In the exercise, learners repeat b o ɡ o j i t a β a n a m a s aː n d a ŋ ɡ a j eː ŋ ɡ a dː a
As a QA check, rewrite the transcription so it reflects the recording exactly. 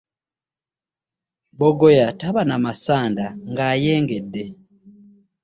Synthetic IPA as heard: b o ɡ o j a t a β a n a m a s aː n d a ŋ ɡ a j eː ŋ ɡ e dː e